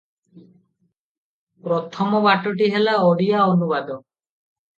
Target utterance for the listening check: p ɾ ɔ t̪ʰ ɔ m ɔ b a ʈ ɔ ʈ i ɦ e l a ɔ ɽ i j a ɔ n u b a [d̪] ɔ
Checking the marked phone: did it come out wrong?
no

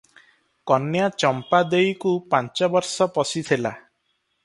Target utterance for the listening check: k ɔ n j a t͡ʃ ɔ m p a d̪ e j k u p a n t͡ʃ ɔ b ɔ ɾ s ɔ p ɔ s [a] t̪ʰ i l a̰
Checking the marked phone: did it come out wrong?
yes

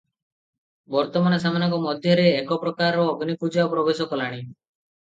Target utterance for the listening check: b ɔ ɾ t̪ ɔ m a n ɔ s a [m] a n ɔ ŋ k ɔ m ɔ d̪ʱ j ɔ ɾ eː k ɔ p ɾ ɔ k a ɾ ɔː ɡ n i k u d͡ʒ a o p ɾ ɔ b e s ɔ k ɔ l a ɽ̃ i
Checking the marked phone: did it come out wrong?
no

